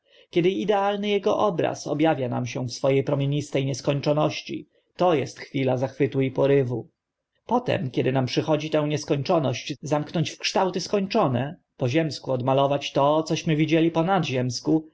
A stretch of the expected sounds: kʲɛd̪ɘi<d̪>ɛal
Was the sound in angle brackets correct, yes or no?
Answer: yes